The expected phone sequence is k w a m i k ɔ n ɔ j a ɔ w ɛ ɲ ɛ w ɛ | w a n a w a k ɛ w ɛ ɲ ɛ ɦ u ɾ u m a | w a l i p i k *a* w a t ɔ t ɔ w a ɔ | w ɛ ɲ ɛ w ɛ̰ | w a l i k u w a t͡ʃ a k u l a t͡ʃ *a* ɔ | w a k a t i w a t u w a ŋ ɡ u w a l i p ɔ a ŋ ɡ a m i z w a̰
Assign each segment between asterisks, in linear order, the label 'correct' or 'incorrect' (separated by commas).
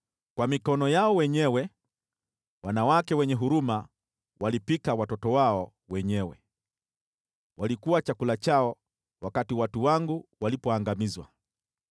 correct, correct